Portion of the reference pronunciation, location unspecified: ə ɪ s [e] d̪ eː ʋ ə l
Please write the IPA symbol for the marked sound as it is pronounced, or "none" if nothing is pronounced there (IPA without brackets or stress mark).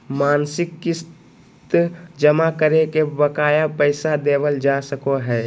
a